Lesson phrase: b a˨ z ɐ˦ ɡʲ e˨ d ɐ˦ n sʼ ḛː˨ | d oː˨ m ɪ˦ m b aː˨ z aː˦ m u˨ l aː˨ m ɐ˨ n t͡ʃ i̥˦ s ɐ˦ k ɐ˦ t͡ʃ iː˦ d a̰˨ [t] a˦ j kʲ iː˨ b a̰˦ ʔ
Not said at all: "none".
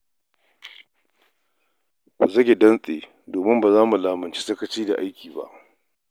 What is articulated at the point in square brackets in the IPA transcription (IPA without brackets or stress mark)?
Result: ʔ